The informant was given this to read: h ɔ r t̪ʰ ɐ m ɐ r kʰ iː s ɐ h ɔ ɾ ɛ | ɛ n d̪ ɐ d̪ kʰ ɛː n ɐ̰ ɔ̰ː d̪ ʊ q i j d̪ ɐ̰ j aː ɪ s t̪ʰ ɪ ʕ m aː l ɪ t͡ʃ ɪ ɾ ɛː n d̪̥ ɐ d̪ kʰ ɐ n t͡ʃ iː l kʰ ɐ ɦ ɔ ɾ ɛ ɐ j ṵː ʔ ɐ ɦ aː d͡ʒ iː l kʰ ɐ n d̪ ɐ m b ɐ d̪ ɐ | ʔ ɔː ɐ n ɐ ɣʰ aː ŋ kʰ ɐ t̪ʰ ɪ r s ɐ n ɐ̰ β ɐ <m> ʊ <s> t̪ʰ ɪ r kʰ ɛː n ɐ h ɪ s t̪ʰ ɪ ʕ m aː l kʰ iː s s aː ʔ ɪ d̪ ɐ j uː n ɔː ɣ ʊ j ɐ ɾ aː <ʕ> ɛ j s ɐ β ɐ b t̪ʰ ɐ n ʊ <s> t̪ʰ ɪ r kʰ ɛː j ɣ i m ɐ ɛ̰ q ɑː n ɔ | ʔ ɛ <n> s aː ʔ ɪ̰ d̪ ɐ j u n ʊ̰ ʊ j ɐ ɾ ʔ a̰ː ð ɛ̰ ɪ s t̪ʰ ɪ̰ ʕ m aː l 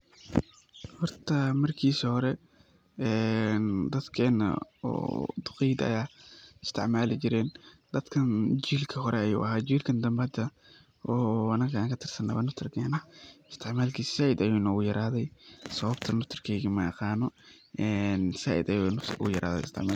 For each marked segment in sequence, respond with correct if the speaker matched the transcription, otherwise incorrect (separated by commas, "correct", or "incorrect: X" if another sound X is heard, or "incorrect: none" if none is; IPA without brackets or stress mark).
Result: incorrect: n, incorrect: f, incorrect: ð, incorrect: f, correct